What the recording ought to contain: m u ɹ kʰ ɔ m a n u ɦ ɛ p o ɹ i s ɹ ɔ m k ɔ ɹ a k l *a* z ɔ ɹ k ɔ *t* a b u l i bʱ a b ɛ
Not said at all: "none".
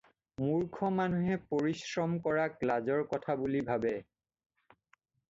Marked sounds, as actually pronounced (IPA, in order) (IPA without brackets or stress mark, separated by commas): a, tʰ